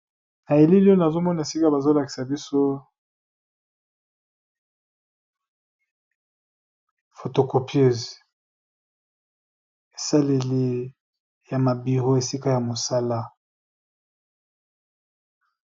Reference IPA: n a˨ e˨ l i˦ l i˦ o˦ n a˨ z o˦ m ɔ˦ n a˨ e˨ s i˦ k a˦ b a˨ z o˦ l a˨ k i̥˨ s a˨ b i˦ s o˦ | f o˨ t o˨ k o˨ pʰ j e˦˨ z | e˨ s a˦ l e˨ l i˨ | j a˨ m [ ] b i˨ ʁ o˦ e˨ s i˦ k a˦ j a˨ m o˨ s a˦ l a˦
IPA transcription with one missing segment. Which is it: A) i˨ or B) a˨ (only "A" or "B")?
B